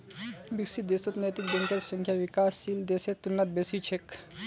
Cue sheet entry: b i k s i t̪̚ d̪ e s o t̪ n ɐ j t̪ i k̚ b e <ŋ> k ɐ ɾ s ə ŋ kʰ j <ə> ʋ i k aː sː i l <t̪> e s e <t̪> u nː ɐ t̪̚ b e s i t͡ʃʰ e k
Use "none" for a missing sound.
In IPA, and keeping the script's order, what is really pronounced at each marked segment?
ŋ, a, d̪, t̪

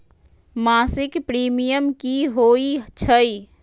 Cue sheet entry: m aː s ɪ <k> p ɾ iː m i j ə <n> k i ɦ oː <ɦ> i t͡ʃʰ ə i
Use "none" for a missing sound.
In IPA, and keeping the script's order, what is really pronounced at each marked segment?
k, m, none

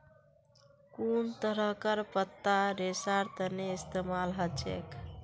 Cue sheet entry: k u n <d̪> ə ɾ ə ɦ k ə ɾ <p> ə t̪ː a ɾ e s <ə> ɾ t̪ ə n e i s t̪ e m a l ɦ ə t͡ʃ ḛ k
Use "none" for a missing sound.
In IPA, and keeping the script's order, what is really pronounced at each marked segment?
t̪, p, a

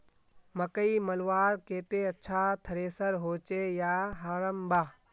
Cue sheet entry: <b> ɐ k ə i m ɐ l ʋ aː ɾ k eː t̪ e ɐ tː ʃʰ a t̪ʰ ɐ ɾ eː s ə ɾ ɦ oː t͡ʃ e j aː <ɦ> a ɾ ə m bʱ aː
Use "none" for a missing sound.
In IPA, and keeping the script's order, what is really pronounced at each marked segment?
m, ɦ

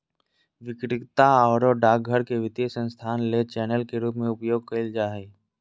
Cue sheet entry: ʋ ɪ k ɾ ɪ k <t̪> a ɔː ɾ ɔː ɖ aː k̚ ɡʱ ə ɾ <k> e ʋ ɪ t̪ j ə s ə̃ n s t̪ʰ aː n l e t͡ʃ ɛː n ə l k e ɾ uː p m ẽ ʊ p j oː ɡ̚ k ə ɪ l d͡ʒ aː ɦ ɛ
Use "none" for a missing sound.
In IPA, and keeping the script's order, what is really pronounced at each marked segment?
t̪, k

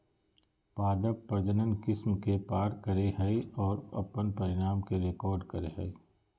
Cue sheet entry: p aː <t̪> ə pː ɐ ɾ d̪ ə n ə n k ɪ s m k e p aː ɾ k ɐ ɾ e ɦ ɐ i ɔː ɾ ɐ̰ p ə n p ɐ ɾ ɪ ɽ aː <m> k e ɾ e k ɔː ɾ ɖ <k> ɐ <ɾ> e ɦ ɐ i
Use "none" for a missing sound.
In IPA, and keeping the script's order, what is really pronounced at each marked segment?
d̪, m, k, ɾ

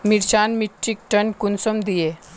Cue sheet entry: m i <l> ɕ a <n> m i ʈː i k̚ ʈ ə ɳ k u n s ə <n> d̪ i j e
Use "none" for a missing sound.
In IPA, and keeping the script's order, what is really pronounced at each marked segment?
ɾ, n, m

